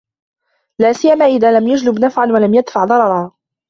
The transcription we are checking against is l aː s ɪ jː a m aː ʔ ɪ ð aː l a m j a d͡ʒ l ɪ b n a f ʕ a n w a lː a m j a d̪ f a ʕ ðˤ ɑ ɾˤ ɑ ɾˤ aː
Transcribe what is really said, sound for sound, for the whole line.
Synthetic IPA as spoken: l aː s ɪ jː a m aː ʔ ɪ ð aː l a m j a d͡ʒ l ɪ b n a f ʕ a n w a l a m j a d̪ f a ʕ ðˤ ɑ ɾˤ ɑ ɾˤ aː